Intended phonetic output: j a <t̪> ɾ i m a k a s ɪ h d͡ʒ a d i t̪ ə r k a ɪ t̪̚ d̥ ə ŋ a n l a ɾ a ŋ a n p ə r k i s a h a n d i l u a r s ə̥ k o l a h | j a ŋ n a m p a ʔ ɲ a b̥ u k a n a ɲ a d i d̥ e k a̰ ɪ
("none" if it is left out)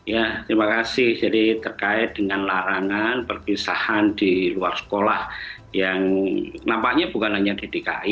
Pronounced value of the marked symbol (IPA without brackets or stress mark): t̪